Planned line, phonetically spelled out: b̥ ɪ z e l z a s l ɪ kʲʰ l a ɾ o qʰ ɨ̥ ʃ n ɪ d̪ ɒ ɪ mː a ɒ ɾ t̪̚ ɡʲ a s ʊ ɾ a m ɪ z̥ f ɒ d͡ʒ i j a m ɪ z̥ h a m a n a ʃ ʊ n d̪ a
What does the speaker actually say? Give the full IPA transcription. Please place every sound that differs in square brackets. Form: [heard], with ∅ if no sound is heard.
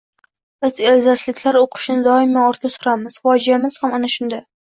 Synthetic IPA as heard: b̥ ɪ z e l z a s l ɪ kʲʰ l a ɾ o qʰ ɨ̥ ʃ n ɪ d̪ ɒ ɪ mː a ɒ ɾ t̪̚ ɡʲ a s ʊ ɾ a m ɪ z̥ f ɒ d͡ʒ i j a m ɪ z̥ h a m a n a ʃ ʊ n d̪ a